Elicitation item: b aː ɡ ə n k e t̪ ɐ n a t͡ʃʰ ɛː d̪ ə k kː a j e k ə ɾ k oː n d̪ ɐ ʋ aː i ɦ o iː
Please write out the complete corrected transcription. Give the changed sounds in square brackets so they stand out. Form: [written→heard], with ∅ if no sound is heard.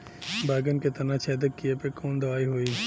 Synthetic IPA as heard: b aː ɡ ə n k e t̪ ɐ n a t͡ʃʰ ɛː d̪ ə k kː [a→i] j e [k→p] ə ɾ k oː n d̪ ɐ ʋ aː i ɦ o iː